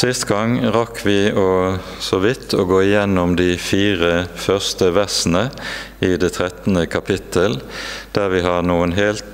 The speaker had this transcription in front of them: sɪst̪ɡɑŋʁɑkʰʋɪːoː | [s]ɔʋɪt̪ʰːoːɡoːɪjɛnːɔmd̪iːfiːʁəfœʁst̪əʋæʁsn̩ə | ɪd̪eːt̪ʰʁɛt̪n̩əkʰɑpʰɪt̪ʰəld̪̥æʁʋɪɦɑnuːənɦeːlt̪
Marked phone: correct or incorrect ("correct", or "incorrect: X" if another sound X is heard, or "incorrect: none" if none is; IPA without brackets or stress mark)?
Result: correct